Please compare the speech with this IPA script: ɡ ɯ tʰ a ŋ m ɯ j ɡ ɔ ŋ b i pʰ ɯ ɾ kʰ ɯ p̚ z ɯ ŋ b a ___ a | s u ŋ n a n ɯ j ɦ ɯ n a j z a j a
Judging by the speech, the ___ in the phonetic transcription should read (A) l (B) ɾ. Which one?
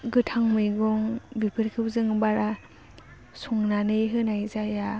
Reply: B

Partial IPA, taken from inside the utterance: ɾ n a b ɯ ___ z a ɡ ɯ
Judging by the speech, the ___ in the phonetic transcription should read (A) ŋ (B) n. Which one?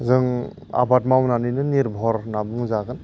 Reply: A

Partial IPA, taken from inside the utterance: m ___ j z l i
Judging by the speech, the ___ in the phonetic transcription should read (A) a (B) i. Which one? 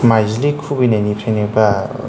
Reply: A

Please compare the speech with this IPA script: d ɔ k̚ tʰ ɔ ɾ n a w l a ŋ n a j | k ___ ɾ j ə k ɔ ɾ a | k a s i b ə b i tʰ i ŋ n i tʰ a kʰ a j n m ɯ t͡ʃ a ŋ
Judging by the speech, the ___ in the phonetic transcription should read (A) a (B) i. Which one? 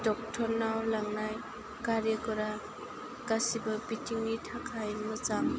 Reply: A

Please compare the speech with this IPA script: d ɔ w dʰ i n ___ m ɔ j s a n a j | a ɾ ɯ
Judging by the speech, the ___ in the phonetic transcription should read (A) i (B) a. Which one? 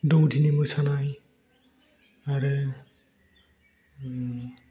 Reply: A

